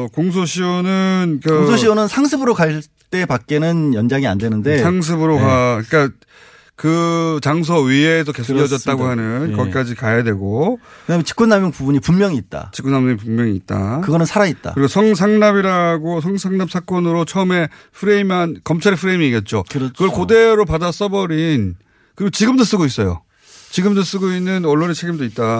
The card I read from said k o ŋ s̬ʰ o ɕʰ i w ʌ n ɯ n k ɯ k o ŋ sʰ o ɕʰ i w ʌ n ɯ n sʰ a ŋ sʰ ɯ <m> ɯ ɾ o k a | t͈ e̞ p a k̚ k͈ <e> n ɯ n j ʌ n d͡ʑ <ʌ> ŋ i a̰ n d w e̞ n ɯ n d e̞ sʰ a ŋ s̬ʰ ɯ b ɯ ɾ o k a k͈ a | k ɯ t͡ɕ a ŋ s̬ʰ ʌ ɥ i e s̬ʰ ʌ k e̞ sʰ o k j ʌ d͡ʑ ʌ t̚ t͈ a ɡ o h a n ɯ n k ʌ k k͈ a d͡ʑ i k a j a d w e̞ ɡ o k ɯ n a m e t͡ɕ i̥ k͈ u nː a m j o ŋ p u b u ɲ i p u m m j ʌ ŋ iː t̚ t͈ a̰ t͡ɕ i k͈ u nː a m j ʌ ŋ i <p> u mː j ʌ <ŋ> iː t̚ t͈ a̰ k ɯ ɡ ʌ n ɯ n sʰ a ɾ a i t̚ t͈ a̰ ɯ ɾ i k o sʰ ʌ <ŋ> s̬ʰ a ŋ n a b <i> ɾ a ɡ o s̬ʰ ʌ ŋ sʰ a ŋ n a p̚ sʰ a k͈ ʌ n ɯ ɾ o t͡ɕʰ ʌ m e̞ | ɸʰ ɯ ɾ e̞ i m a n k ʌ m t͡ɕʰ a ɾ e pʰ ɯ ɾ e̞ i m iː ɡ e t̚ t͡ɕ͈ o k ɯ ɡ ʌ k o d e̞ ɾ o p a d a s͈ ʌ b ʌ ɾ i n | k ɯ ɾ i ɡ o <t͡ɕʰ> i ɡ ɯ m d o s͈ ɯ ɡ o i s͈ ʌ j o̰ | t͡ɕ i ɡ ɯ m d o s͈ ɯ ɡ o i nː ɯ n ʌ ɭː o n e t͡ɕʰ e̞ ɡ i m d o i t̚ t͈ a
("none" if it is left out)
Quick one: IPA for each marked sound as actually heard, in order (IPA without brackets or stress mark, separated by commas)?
b, e, a, p, ŋ, ŋ, i, t͡ɕ